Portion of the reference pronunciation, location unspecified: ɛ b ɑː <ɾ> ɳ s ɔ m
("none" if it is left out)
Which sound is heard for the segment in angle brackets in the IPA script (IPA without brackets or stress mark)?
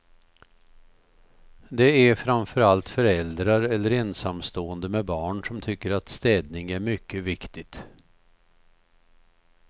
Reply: none